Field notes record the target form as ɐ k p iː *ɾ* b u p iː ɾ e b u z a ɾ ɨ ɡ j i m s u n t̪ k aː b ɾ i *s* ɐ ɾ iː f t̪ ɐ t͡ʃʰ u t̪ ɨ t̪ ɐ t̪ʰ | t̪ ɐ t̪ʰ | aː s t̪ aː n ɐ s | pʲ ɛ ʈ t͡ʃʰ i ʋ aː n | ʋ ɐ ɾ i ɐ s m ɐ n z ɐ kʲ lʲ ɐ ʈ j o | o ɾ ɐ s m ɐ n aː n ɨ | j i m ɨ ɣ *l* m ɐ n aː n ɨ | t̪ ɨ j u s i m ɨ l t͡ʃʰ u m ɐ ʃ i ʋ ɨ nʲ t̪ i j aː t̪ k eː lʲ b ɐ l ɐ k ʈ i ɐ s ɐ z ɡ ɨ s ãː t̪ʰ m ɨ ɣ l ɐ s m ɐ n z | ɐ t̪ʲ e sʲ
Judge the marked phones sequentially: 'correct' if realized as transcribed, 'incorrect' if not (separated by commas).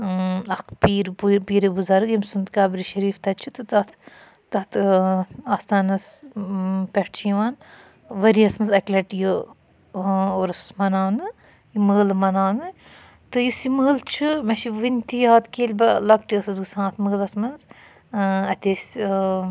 correct, incorrect, correct